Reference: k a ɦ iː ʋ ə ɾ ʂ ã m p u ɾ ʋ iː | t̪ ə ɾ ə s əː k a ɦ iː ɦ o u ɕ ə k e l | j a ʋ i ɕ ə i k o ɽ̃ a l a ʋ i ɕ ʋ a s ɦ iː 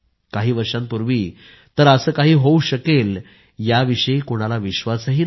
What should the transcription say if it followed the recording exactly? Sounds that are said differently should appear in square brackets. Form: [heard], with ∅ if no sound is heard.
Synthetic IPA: k a ɦ iː ʋ ə ɾ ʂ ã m p u ɾ ʋ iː | t̪ ə ɾ ə s əː k a ɦ iː ɦ o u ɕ ə k e l | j a ʋ i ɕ ə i k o ɽ̃ a l a ʋ i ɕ ʋ a s ɦ iː